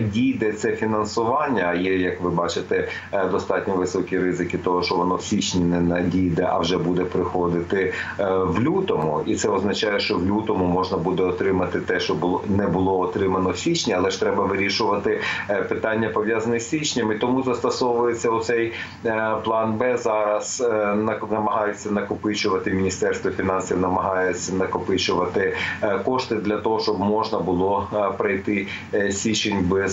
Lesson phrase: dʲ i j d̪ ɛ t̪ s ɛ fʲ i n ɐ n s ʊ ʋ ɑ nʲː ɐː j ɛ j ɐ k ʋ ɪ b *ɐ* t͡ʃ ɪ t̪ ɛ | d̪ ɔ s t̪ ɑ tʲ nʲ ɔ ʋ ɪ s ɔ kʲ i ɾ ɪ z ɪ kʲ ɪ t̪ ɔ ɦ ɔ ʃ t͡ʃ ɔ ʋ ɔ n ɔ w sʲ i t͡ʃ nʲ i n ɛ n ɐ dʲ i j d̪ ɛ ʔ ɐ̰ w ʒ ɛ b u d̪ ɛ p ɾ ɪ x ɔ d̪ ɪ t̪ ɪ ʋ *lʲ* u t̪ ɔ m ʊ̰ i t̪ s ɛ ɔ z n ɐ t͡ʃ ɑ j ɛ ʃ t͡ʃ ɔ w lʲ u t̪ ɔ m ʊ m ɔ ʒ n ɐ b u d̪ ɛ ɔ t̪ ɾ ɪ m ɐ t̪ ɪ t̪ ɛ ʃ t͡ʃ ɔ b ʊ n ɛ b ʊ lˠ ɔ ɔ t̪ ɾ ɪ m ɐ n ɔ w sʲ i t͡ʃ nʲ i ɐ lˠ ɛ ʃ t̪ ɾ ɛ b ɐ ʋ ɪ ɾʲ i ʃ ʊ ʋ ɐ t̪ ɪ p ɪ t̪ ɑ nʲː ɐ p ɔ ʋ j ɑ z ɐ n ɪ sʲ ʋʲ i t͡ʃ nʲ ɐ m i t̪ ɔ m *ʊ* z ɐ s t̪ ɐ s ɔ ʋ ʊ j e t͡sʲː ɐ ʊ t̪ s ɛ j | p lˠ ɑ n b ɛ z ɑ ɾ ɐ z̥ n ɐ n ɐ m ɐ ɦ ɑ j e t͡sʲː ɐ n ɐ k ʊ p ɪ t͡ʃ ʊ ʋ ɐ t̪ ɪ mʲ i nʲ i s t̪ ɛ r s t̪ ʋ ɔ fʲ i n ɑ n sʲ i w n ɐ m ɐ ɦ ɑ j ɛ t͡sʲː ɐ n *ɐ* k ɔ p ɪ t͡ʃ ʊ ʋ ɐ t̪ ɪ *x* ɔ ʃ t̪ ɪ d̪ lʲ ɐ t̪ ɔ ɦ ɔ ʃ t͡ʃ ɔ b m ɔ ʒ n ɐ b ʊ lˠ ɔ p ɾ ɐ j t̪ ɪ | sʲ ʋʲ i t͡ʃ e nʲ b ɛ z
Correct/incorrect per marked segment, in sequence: incorrect: ɑ, correct, incorrect: u, correct, incorrect: k

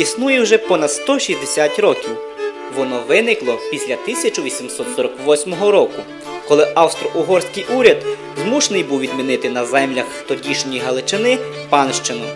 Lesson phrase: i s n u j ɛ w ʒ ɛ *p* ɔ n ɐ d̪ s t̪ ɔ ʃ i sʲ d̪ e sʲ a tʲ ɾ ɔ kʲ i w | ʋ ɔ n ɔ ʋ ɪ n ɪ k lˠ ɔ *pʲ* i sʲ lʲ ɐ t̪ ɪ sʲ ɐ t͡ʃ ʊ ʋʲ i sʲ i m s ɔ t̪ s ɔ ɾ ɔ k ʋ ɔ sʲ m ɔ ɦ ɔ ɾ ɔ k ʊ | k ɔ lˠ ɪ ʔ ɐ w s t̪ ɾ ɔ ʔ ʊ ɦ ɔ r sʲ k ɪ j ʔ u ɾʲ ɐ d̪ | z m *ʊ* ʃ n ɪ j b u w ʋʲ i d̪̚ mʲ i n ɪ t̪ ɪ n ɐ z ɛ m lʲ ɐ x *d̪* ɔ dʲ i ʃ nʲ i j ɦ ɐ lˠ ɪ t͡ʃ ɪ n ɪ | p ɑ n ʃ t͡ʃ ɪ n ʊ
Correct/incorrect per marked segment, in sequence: correct, correct, incorrect: u, incorrect: t̪

